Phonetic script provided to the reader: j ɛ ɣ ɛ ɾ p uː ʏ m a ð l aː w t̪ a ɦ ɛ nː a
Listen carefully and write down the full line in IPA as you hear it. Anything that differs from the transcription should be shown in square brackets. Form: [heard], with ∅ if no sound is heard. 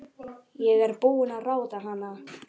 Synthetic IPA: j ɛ ɣ ɛ ɾ p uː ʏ [n] a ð [r] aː w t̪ a ɦ [a] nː a